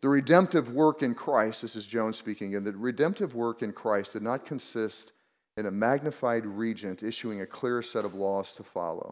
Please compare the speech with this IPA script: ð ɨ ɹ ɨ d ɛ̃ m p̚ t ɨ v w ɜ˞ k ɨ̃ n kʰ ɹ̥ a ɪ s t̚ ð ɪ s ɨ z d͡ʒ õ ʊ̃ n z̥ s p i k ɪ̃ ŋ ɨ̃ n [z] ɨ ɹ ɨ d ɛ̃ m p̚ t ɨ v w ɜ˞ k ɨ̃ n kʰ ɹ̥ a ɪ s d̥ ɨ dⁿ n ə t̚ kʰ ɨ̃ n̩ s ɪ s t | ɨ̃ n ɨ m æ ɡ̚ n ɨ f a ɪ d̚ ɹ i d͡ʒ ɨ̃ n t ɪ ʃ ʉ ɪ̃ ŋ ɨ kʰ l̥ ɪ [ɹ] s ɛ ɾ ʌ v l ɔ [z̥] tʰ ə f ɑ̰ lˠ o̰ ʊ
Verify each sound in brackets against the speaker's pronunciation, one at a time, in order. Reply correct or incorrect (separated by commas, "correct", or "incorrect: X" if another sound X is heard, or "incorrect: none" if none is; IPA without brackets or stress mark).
incorrect: ð, correct, correct